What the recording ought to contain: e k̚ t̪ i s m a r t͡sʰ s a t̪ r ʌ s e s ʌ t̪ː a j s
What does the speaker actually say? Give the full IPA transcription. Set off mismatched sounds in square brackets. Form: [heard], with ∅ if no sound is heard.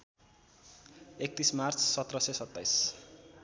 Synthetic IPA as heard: e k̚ t̪ i s m a r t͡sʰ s [ʌ] t̪ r ʌ s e s ʌ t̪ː a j s